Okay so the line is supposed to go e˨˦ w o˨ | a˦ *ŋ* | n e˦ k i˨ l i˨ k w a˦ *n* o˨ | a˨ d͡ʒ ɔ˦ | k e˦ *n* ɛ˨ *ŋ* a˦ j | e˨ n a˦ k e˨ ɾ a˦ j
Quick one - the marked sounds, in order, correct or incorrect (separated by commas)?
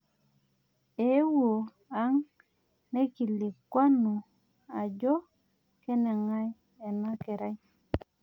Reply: correct, correct, correct, correct